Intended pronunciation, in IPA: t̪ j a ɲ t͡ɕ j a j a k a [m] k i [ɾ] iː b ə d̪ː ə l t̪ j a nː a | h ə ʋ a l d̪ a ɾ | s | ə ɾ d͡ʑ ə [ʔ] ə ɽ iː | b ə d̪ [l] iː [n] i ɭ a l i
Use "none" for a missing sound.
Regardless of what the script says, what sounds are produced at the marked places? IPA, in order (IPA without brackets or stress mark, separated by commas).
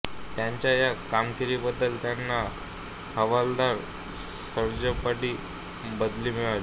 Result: m, ɾ, p, l, m